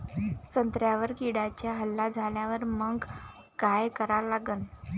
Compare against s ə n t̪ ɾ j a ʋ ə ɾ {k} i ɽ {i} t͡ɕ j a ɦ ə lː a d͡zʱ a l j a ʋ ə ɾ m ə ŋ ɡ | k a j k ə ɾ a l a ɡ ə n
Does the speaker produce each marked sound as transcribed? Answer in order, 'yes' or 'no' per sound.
yes, no

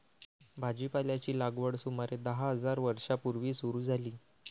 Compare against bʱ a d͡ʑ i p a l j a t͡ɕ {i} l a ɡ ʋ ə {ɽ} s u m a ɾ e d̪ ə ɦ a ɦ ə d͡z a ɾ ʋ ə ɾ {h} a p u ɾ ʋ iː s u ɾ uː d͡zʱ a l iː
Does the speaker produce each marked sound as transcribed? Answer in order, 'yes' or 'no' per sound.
no, yes, no

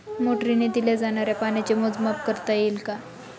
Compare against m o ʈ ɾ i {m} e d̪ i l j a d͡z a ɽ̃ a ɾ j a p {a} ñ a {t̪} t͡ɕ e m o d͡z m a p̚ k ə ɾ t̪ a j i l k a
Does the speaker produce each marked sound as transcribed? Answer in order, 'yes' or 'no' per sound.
no, yes, no

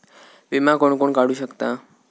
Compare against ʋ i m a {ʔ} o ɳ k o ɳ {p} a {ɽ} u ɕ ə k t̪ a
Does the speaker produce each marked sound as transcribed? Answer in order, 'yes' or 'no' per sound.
no, no, yes

